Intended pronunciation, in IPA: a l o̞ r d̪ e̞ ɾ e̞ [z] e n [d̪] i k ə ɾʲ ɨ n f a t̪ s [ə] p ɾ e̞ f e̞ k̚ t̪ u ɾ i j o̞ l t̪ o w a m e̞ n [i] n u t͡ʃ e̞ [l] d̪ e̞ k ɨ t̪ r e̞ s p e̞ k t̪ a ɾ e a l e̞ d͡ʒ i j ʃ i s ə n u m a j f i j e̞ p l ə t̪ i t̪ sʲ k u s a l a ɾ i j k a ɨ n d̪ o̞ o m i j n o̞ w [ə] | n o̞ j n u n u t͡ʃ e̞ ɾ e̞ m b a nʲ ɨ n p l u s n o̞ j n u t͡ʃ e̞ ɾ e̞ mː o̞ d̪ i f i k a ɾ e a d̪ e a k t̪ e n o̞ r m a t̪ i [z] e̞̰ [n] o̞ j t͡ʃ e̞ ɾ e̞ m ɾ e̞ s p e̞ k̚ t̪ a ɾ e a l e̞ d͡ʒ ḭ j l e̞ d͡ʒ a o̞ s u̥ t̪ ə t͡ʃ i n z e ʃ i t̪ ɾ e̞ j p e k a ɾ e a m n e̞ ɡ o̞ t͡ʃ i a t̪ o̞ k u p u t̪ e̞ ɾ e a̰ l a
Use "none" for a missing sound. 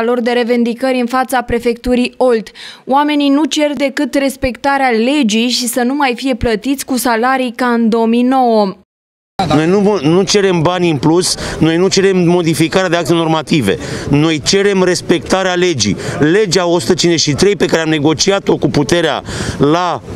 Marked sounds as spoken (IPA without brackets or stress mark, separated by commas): v, d̪, a, i, r, ə, v, n